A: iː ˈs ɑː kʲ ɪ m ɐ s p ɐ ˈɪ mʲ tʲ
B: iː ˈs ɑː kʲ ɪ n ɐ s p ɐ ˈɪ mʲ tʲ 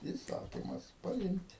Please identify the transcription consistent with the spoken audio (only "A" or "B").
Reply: A